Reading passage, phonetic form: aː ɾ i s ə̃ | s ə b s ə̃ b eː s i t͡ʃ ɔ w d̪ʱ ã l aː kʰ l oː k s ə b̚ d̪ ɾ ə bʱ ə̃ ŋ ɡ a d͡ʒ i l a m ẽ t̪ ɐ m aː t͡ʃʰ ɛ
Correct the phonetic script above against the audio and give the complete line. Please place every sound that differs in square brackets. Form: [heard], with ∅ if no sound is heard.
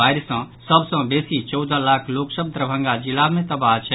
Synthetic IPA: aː ɾ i s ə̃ | s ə b s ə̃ b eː s i t͡ʃ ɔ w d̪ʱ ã l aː kʰ l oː k s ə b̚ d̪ ɾ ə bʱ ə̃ ŋ ɡ a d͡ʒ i l a m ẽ t̪ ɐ [b] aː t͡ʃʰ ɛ